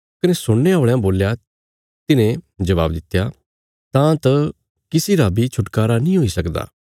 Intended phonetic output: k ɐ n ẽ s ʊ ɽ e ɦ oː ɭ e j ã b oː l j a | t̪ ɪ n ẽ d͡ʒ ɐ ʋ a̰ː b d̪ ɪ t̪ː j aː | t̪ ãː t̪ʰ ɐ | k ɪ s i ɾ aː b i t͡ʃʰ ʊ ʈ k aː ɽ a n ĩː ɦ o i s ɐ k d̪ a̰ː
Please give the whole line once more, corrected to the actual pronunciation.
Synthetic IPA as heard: k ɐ n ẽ s ʊ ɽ e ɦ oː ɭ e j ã b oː l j a | t̪ ɪ n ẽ d͡ʒ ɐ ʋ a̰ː b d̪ ɪ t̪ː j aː | t̪ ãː t̪ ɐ | k ɪ s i ɾ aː b i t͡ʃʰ ʊ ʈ k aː ɾ a n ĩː ɦ o i s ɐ k d̪ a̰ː